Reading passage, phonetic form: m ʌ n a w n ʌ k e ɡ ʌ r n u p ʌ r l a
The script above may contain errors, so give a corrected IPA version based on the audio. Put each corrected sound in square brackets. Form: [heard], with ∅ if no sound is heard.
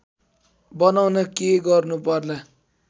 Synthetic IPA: [b] ʌ n a w n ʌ k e ɡ ʌ r n u p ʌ r l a